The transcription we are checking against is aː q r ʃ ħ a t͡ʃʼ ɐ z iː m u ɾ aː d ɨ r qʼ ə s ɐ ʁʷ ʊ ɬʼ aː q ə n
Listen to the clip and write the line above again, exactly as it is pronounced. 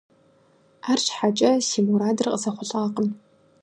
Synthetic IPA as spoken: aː r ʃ ħ a t͡ʃʼ ɐ s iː m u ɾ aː d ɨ r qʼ ə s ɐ χʷ ʊ ɬʼ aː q ə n